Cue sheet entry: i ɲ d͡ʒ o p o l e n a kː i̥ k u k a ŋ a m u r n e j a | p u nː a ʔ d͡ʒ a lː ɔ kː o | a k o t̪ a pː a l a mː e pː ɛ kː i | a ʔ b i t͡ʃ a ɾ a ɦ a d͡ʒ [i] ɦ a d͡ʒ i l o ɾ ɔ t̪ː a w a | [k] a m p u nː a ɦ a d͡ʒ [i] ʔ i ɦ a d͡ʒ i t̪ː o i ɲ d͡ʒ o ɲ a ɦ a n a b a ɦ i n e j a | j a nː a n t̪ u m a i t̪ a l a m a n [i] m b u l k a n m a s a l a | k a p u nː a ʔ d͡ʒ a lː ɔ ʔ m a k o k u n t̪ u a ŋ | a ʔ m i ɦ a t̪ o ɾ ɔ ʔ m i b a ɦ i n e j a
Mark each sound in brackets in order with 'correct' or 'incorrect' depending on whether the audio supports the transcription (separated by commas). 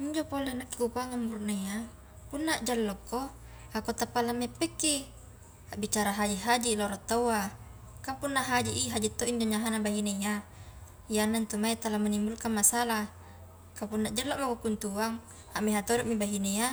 correct, correct, correct, correct